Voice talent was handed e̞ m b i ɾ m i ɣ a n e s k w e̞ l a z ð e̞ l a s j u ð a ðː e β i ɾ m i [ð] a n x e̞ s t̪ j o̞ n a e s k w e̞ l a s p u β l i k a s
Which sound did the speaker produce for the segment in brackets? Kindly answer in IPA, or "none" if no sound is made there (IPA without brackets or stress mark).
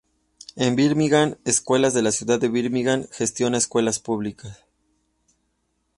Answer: ɣ